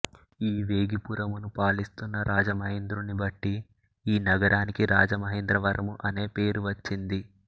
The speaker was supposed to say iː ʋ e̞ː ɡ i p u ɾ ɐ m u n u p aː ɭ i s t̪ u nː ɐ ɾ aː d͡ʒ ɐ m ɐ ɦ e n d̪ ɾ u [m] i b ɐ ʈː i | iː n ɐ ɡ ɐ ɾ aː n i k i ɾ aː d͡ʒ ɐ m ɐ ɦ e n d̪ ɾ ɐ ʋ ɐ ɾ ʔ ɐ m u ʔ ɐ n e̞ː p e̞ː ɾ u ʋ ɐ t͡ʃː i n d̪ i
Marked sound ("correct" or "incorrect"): incorrect